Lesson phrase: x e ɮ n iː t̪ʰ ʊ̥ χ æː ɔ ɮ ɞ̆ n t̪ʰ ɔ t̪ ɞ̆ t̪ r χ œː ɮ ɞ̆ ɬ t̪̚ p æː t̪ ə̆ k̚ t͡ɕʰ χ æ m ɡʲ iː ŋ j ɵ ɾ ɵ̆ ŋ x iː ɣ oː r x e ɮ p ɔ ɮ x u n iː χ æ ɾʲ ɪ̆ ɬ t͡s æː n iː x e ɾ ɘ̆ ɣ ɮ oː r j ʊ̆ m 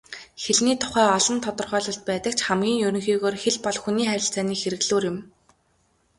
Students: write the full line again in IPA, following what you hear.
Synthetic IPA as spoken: x e ɮ n iː t̪ʰ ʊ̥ χ æː ɔ ɮ ɞ̆ n t̪ʰ ɔ t̪ ɞ̆ r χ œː ɮ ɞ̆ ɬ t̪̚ p æː t̪ ə̆ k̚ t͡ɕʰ χ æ m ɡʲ iː ŋ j ɵ ɾ ɵ̆ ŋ x iː ɣ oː r x e ɮ p ɔ ɮ x u n iː χ æ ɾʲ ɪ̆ ɬ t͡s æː n iː x e ɾ ɘ̆ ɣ ɮ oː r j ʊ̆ m